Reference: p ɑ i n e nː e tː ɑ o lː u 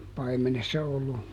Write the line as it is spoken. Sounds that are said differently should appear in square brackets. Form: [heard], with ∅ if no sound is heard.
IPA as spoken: p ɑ i [m] e [n] e [sː] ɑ o lː u